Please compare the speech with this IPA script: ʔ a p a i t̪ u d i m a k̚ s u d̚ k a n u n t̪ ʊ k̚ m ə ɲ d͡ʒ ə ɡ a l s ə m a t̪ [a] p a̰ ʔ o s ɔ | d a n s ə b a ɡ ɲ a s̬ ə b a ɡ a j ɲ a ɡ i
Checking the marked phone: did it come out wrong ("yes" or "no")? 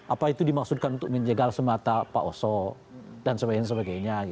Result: no